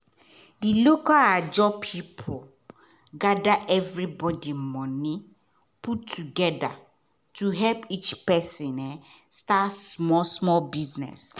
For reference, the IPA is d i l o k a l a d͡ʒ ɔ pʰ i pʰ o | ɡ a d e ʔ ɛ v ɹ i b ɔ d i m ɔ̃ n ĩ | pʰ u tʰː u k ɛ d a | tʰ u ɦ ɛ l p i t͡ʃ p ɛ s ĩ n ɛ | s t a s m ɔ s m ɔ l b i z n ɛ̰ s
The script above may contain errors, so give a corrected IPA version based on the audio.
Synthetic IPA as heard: d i l o k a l a d͡ʒ ɔ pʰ i pʰ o | ɡ a d a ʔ ɛ v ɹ i b ɔ d i m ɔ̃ n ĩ | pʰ u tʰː u ɡ ɛ d a | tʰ u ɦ ɛ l p i t͡ʃ p ɛ s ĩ n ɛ | s t a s m ɔ s m ɔ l b i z n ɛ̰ s

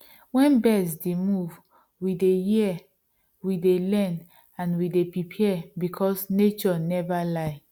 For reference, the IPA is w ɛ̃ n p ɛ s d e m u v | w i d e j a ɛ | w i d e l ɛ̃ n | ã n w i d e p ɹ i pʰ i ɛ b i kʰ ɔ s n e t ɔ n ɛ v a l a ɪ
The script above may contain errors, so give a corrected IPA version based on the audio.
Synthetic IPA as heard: w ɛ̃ n b ɛ s d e m u v | w i d e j i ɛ | w i d e l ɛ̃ n | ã n w i d e p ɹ i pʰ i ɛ b i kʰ ɔ s n e t͡ʃ ɔ n ɛ v a l a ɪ

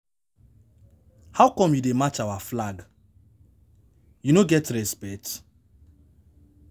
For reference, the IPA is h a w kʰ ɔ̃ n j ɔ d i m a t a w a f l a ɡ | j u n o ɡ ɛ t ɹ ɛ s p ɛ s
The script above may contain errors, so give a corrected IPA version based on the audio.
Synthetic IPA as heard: h a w k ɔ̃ m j u d e m a t͡ʃ a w a f l a ɡ | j u n o ɡ ɛ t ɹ ɛ s p ɛ t

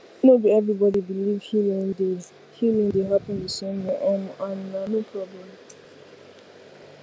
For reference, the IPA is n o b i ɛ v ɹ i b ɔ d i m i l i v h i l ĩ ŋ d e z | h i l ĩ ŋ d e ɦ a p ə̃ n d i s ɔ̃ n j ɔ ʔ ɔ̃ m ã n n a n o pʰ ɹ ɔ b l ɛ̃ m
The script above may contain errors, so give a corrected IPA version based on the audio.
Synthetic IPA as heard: n o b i ɛ v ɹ i b ɔ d i b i l i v h i l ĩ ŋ d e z | h i l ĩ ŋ d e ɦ a p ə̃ n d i s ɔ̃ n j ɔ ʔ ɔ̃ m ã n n a n o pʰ ɹ ɔ b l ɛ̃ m

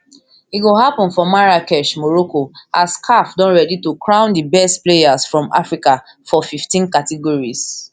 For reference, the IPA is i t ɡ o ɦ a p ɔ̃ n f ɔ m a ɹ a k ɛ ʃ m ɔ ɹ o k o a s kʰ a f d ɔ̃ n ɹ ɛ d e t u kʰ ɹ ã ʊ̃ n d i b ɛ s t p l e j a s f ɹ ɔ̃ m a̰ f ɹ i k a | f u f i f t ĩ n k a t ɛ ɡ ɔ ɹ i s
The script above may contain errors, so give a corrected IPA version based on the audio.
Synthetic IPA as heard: i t ɡ o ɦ a p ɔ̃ n f ɔ m a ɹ a k ɛ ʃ m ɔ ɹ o k o a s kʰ a f d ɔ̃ n ɹ ɛ d i t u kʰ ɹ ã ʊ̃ n d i b ɛ s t p l e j a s f ɹ ɔ̃ m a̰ f ɹ i k a | f ɔ f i f t ĩ n k a t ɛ ɡ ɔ ɹ i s

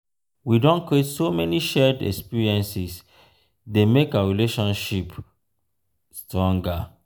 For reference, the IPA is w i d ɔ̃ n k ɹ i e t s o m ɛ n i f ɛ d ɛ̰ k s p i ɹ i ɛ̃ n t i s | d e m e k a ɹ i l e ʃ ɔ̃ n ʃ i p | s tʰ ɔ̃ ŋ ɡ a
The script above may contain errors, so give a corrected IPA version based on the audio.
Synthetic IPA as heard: w i d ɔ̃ n k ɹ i e t s o m ɛ n i ʃ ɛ d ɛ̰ k s p i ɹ i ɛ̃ n s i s | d e m e k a ɹ i l e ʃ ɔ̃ n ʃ i p | s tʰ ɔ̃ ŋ ɡ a

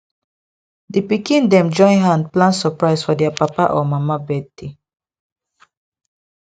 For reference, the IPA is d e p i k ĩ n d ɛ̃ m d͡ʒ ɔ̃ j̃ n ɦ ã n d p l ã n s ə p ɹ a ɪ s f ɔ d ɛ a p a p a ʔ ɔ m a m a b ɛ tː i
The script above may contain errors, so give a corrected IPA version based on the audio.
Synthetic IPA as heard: d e p i k ĩ n d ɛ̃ m d͡ʒ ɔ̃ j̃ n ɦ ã n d p l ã n s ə p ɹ a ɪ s f ɔ d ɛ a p a p a ʔ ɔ m a m a b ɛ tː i

